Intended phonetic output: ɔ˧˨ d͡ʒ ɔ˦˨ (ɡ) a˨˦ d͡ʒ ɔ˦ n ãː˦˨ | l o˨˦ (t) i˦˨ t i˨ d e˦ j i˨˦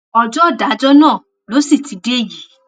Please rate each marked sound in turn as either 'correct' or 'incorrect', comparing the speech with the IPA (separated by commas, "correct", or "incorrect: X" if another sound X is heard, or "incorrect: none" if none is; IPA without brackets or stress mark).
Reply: incorrect: d, incorrect: s